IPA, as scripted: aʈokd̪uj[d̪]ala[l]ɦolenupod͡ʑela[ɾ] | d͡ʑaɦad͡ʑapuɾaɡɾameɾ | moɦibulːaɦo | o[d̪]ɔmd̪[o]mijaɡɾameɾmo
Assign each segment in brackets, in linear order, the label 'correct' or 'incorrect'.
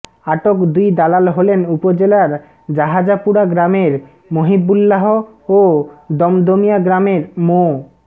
correct, correct, correct, correct, correct

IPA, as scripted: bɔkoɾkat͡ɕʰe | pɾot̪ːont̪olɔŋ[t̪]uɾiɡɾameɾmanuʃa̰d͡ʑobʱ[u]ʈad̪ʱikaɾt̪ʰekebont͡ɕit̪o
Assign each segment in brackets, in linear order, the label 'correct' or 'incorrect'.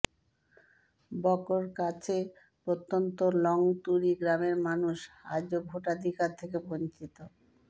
correct, incorrect: o

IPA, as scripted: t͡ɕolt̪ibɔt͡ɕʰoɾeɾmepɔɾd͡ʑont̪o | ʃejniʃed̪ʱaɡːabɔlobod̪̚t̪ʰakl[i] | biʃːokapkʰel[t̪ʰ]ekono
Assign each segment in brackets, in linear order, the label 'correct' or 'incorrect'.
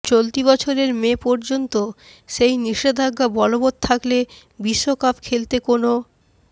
incorrect: e, incorrect: t̪

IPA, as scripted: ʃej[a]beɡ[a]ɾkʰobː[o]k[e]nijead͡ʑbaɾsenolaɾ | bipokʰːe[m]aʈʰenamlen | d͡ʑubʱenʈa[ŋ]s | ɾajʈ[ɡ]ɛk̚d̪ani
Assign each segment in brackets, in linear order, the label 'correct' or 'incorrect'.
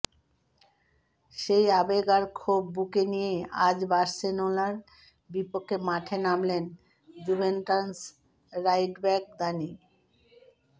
correct, correct, incorrect: u, correct, correct, incorrect: n, incorrect: b

